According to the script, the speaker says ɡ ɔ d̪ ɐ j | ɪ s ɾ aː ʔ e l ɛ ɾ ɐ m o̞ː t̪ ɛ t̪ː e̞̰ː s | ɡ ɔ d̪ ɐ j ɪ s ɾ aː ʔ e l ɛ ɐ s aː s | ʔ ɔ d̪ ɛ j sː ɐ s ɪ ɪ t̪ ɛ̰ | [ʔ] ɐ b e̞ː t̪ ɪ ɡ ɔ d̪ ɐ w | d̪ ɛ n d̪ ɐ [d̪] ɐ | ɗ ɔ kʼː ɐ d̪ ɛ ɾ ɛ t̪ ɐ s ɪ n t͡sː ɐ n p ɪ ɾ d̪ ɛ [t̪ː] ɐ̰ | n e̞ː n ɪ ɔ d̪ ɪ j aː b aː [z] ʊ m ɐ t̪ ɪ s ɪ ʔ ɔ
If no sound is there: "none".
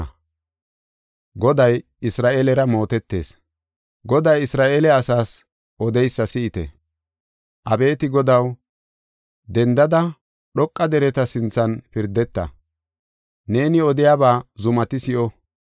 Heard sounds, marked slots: ʔ, d̪, t̪ː, z

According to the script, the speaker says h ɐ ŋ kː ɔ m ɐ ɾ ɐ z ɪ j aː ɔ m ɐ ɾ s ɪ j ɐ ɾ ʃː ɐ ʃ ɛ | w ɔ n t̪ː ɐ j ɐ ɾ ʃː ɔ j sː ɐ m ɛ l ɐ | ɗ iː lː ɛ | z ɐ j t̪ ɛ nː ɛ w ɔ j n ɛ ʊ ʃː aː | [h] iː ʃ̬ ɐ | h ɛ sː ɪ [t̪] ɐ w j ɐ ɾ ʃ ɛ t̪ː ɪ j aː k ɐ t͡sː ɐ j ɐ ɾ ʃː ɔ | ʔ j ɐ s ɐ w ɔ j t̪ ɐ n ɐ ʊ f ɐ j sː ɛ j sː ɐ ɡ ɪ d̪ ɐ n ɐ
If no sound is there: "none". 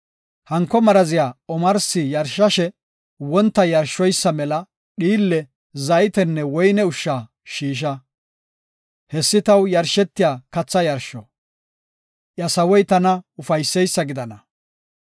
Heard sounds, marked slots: ʃ, t̪

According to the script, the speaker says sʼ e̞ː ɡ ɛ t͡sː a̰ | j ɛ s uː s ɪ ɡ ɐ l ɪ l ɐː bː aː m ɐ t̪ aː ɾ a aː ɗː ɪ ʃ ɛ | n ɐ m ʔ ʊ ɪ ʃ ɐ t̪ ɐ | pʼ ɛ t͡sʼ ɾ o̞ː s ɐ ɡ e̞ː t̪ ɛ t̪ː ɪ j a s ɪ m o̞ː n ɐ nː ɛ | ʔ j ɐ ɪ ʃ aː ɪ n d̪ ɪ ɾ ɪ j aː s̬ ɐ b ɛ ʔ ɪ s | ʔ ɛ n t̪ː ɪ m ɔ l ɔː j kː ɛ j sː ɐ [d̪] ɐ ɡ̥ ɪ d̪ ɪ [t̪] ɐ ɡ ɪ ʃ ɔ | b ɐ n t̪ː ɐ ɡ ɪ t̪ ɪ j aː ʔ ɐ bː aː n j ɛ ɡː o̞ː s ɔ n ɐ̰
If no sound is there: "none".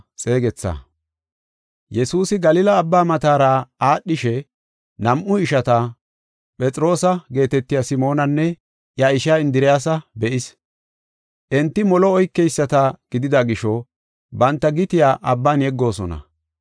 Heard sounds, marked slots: t̪, d̪

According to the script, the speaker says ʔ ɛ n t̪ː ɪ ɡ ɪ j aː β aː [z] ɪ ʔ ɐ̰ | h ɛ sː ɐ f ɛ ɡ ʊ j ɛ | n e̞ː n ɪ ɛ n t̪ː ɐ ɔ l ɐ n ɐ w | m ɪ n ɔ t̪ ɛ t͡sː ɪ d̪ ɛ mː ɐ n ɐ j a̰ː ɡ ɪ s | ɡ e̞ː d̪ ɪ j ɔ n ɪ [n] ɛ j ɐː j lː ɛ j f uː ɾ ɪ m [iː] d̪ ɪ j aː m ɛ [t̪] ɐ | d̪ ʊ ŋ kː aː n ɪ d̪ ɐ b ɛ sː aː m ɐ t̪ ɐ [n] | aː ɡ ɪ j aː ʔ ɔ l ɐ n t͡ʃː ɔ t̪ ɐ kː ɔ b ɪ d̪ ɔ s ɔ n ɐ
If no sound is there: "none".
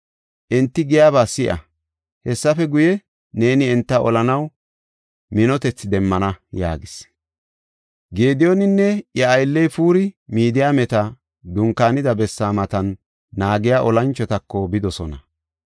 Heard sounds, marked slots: s, nː, iː, t̪, nː

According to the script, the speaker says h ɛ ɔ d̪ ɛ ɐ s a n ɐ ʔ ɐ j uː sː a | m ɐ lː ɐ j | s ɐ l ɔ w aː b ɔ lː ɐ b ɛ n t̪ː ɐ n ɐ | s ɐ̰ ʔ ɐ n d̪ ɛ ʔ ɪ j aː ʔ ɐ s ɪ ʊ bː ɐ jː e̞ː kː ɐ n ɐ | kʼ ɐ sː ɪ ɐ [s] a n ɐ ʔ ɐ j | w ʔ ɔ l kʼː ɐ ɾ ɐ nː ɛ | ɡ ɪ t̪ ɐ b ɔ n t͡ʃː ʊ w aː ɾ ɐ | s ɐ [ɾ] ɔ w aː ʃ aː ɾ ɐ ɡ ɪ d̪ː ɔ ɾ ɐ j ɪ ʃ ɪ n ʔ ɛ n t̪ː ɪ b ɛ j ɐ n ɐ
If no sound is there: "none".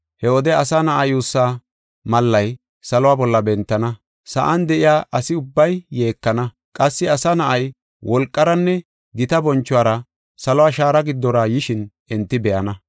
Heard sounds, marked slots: s, l

